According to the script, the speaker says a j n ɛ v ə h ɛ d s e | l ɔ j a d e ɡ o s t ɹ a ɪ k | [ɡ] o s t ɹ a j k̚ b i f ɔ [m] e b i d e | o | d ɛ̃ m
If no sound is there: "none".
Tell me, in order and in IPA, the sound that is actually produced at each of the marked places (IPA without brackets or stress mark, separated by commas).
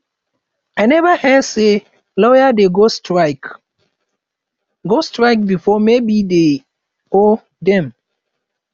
ɡ, m